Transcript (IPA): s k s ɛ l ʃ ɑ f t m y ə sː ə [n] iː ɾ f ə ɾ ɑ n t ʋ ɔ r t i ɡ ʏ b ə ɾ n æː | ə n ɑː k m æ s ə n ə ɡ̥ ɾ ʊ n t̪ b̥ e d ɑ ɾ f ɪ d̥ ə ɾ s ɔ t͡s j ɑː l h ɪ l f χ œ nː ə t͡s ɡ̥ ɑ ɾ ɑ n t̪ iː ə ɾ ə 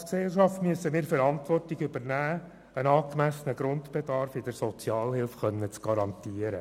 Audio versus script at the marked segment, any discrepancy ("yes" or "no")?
yes